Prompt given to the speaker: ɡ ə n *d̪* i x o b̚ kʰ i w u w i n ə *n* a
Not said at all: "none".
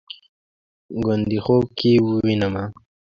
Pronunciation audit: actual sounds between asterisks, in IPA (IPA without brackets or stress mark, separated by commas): d̪, m